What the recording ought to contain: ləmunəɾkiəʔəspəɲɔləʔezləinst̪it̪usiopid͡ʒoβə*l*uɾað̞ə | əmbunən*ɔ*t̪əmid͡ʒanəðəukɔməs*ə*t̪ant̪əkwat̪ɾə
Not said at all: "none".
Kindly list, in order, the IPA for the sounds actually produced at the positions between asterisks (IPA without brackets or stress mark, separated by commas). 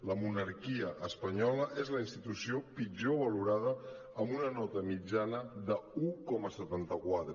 l, ɔ, ə